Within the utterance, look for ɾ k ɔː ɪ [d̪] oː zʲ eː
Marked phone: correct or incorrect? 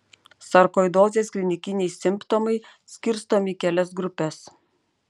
correct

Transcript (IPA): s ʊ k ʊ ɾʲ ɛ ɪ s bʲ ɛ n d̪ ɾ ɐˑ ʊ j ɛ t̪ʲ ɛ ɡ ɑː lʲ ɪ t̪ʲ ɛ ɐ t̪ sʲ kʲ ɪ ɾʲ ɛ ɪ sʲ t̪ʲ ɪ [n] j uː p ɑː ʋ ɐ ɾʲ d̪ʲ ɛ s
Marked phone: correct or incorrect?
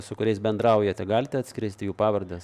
incorrect: none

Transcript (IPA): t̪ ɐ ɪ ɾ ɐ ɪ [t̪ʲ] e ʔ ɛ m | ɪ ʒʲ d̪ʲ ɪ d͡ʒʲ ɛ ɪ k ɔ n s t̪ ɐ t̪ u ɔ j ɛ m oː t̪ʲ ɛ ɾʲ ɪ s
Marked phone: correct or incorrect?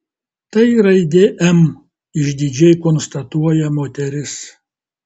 incorrect: d̪ʲ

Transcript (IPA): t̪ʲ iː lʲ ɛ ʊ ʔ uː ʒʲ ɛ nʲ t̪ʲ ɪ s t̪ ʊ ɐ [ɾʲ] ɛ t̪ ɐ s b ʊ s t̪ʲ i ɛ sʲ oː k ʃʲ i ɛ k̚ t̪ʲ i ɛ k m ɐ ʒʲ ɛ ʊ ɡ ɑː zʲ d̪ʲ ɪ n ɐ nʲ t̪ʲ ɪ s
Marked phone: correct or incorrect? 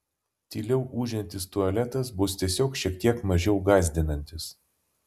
incorrect: lʲ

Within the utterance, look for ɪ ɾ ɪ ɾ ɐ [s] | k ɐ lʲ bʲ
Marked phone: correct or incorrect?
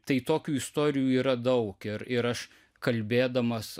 incorrect: ʃ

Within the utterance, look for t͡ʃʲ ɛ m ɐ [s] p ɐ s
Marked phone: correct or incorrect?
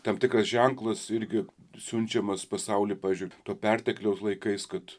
correct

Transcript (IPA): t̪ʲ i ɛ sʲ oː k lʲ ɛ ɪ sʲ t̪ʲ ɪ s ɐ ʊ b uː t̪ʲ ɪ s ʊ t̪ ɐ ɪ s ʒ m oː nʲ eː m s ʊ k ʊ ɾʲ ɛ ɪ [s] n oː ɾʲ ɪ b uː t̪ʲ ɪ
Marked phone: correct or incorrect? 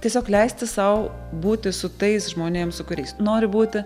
correct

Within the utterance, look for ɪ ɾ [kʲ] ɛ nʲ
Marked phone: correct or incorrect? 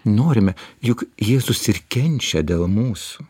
correct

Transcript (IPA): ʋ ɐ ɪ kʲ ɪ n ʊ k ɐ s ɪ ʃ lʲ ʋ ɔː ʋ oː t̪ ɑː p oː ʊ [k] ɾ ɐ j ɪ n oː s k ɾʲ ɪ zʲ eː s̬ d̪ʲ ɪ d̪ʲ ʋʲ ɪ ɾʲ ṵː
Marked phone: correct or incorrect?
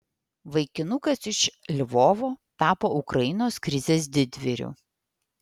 correct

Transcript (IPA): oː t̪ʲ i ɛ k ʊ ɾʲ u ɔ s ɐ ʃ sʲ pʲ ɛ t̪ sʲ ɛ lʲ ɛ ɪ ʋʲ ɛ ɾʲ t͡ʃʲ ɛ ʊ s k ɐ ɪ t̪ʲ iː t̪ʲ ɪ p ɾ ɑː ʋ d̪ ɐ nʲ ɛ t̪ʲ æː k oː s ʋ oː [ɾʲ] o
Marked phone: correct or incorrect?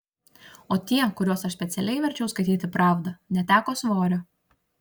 correct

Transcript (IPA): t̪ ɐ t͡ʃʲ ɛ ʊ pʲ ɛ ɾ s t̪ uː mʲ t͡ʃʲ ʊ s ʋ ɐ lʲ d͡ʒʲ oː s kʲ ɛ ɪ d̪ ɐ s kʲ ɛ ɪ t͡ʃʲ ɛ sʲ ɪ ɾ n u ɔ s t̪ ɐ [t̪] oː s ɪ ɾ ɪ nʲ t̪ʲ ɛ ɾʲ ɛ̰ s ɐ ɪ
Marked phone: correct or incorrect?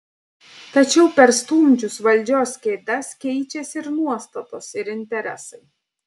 correct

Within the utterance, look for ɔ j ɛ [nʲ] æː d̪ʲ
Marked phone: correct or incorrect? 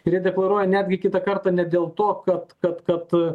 correct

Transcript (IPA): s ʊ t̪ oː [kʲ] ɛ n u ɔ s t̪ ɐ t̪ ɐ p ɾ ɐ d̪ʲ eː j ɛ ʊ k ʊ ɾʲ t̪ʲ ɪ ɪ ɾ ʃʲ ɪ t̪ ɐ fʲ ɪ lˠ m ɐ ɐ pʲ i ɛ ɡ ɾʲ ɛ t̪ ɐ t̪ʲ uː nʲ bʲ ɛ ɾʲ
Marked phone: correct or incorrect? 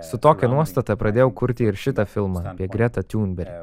correct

